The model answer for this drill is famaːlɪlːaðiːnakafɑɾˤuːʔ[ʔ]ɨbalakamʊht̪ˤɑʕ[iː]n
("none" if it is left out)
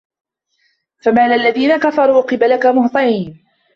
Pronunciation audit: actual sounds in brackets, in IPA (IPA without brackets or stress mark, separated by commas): q, iː